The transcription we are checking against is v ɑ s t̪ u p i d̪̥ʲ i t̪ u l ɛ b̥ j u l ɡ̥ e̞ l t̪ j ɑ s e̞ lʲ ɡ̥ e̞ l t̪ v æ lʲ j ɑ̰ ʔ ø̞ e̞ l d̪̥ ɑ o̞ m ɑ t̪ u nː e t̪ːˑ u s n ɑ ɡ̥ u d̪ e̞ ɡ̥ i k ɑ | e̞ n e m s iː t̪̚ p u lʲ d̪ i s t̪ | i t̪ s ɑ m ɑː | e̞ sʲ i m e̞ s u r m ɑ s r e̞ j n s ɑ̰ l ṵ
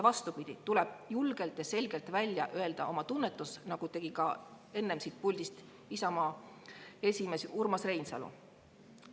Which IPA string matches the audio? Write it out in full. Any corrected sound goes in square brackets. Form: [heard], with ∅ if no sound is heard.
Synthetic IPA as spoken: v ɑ s t̪ u p i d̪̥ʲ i t̪ u l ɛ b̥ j u l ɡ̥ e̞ l t̪ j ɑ s e̞ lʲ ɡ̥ e̞ l t̪ v æ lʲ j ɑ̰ ʔ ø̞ e̞ l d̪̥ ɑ o̞ m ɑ t̪ u nː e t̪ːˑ u s n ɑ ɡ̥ u [t̪] e̞ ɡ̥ i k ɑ | e̞ [nː] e m s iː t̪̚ p u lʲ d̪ i s t̪ | i [∅] s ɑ m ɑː | e̞ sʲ i m e̞ s u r m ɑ s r e̞ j n s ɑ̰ l ṵ